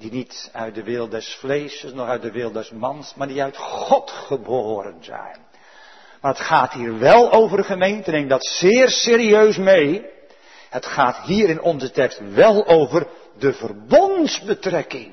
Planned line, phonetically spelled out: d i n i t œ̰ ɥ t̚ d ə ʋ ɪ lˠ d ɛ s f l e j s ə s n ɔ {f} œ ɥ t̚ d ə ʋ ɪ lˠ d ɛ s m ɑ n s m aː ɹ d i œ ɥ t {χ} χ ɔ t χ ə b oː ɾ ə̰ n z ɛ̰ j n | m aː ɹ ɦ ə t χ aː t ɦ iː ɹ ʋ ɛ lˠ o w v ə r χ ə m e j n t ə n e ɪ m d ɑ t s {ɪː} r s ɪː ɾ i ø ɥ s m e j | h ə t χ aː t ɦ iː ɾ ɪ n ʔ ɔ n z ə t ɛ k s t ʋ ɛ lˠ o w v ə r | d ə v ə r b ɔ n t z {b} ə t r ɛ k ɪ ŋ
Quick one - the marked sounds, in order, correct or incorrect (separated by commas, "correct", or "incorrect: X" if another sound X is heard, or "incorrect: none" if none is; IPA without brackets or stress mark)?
incorrect: χ, correct, correct, correct